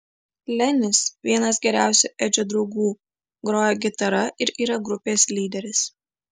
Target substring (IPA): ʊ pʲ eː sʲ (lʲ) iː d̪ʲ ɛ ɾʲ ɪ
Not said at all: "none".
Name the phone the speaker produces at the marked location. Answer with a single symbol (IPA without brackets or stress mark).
lʲ